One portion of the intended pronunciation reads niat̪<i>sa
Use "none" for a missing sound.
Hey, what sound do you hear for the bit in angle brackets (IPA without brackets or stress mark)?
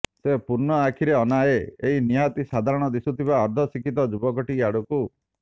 i